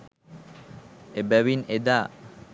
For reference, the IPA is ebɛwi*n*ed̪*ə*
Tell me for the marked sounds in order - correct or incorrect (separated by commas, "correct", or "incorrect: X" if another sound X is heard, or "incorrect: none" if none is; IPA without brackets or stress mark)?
correct, incorrect: a